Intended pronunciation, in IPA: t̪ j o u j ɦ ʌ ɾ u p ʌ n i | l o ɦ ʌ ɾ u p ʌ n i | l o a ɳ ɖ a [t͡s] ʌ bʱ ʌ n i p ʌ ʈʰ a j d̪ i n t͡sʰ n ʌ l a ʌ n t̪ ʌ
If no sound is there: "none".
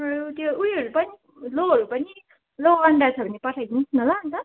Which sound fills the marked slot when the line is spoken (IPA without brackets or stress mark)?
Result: t͡sʰ